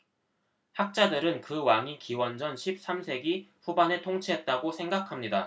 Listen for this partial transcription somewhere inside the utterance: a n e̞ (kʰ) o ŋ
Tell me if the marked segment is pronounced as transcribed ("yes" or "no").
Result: no